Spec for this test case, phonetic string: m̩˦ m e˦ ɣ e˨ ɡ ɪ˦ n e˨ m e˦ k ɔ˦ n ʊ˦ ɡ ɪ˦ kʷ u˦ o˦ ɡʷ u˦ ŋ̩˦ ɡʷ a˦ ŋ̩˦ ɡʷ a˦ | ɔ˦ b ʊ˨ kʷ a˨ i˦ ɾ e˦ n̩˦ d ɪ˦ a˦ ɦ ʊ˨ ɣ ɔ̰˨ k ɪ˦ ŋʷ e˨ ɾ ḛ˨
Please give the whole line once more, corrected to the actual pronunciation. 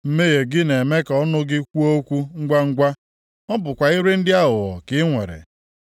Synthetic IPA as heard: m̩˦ m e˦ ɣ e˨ ɡ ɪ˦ n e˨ m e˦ k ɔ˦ n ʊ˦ ɡ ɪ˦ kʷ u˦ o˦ kʷ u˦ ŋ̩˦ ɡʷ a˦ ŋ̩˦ ɡʷ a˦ | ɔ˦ b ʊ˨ kʷ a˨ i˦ ɾ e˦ n̩˦ d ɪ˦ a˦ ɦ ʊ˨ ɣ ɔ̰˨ k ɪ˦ ŋʷ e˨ ɾ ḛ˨